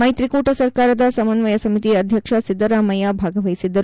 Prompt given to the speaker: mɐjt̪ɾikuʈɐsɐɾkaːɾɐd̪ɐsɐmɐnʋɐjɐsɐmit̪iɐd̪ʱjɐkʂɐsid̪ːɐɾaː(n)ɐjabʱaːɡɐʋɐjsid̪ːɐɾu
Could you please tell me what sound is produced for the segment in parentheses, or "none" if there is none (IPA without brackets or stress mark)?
m